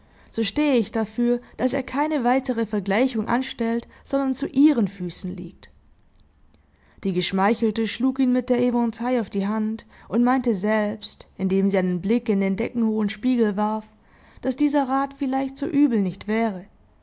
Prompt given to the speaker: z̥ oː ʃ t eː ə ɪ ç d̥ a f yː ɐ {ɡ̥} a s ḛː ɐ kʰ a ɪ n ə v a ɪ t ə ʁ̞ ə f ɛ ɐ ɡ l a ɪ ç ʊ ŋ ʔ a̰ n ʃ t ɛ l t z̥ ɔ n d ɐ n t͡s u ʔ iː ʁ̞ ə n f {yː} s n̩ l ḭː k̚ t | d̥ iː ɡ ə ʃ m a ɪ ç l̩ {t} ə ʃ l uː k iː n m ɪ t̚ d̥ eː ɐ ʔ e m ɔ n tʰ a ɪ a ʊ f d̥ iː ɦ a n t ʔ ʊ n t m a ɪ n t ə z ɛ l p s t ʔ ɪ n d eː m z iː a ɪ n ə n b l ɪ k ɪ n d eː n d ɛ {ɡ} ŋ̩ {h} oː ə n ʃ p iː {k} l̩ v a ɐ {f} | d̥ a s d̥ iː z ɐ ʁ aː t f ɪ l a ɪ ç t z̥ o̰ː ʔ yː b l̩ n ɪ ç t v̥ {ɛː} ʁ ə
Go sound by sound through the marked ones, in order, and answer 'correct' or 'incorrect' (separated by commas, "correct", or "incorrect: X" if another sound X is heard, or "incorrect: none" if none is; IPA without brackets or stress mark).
incorrect: d̥, correct, correct, incorrect: k, correct, incorrect: ɡ, correct, correct